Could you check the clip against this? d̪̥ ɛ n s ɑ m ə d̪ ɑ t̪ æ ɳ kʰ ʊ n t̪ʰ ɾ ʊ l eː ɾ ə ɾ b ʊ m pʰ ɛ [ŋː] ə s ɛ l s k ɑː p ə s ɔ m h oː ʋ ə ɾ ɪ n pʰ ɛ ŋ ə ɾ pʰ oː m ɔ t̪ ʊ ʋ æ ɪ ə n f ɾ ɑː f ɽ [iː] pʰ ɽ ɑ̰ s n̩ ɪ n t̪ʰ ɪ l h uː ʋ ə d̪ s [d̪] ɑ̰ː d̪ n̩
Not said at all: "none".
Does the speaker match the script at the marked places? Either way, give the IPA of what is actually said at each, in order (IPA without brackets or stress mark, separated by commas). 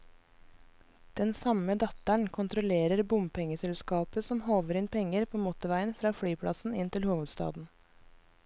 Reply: ŋ, yː, t̪